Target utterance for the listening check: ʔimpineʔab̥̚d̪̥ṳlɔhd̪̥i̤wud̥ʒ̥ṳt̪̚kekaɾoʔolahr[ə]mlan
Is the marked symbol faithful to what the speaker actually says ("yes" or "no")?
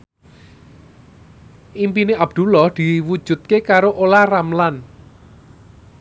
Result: no